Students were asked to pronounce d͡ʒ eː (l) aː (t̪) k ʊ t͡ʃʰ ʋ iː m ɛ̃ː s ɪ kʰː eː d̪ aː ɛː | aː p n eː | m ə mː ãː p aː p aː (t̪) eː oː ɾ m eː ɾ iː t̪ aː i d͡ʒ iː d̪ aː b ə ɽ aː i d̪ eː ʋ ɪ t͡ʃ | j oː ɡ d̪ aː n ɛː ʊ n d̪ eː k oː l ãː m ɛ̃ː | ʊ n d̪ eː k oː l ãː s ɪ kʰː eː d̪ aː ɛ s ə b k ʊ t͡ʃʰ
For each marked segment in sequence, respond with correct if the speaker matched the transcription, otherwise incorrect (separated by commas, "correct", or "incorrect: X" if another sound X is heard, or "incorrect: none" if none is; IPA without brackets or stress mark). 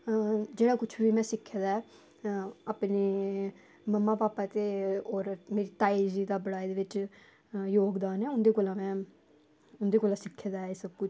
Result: incorrect: ɽ, incorrect: none, correct